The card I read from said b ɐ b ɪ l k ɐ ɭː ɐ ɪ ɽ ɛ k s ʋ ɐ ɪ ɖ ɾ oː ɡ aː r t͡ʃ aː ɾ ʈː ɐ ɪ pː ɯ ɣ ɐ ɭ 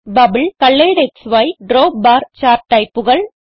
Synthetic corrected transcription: b ɐ b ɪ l k ɐ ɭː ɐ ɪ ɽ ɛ k s ʋ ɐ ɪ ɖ ɾ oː b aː ɾ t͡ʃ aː ɾ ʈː ɐ ɪ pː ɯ ɣ ɐ ɭ